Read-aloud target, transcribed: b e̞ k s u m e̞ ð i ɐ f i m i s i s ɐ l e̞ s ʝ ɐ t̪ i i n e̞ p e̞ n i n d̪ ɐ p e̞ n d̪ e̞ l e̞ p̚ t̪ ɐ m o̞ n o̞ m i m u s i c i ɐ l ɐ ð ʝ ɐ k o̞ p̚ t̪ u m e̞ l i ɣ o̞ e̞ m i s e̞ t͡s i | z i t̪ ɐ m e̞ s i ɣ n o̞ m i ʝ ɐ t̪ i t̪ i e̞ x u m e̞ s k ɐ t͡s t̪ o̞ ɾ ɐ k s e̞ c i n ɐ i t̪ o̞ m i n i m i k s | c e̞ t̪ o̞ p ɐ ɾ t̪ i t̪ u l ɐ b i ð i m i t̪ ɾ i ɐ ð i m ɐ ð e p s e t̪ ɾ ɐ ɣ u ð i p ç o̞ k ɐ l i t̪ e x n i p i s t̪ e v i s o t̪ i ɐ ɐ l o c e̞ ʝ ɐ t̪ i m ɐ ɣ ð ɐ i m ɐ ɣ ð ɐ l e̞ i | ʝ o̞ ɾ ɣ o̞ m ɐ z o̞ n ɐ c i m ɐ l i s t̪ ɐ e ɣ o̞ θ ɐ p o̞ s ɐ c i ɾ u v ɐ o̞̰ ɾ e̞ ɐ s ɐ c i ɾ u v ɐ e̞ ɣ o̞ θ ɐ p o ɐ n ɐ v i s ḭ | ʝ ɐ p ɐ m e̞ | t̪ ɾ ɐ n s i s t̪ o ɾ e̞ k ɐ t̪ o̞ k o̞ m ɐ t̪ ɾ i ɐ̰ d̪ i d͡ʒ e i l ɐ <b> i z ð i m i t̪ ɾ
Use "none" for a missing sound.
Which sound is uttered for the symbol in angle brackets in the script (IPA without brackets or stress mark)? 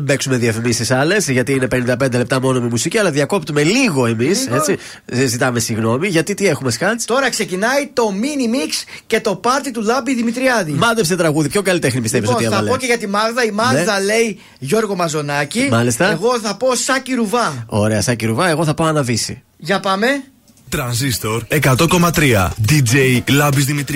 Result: b